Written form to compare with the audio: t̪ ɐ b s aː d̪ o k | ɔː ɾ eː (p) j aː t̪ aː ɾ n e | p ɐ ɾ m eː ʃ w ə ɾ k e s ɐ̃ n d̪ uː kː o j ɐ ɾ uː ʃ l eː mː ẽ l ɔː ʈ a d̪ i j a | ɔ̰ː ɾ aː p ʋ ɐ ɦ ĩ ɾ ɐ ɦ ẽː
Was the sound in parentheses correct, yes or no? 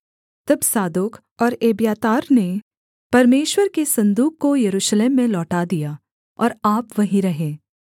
no